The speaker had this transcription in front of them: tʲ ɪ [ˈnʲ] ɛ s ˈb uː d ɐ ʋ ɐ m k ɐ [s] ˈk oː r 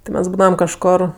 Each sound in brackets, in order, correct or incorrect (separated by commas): incorrect, incorrect